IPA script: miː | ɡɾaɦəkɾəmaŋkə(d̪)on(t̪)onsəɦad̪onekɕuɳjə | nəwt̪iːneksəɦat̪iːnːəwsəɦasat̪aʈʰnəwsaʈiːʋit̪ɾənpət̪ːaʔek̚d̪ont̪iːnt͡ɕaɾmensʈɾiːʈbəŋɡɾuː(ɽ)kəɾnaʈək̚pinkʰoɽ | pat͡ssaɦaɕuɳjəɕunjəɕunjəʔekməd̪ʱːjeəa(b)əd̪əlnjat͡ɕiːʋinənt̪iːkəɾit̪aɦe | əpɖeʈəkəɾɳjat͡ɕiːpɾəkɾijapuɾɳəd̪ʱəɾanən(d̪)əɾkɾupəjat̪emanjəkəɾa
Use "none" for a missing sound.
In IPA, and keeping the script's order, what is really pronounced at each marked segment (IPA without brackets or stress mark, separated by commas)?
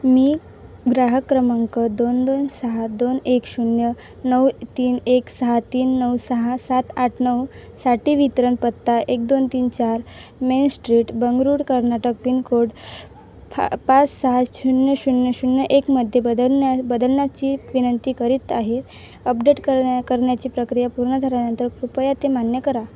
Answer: d̪, d̪, ɽ, b, t̪